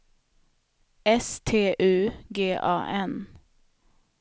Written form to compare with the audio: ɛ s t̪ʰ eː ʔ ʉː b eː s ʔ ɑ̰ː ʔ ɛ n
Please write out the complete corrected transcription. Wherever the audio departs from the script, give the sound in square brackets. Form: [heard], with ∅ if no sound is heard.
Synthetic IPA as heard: ɛ s t̪ʰ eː ʔ ʉː [ɡ] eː [∅] ʔ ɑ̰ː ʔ ɛ n